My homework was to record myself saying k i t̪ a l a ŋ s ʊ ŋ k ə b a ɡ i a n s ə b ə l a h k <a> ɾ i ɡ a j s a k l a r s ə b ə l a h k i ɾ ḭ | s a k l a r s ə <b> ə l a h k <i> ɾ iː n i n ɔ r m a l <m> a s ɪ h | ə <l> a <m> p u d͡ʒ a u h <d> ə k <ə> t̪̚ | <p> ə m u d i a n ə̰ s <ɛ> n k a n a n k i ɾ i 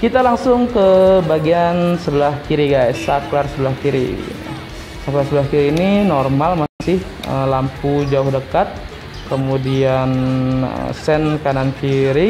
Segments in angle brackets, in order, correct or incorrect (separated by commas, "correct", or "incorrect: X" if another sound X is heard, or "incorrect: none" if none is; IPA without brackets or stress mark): incorrect: i, correct, correct, correct, correct, correct, correct, incorrect: a, incorrect: k, correct